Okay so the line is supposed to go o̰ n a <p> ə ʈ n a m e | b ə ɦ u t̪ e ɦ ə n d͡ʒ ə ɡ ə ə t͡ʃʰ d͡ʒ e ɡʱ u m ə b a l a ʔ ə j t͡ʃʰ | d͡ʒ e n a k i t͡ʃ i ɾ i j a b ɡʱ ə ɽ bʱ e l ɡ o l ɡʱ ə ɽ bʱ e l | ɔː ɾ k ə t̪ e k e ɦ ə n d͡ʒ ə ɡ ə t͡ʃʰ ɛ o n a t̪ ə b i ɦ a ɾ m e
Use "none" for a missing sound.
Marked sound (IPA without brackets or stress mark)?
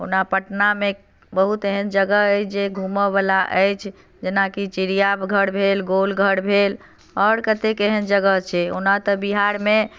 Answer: p